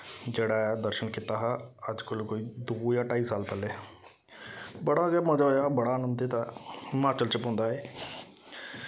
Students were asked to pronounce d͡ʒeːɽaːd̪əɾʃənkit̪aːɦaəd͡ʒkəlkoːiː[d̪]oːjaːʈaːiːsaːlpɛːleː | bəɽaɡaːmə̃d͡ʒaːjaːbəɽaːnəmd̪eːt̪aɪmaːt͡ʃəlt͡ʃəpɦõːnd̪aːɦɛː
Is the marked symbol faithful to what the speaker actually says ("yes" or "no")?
yes